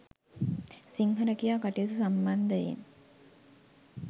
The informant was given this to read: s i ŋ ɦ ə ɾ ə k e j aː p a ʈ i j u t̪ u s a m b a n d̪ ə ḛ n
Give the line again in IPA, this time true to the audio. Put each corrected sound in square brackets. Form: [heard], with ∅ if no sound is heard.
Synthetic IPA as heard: s i ŋ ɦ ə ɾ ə k [i] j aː [k] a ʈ i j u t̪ u s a m b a n d̪ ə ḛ n